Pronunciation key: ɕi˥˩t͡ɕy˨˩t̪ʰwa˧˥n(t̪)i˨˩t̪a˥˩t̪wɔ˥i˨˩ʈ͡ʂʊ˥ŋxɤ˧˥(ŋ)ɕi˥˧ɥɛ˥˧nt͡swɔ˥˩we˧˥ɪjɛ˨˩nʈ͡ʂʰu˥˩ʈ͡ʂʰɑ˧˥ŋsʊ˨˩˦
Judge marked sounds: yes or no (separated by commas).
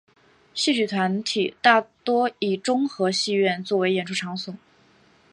no, no